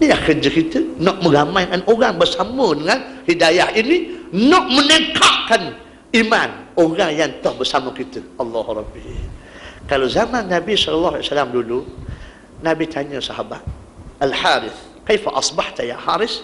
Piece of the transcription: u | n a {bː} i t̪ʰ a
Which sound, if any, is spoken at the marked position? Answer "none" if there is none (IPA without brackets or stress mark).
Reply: b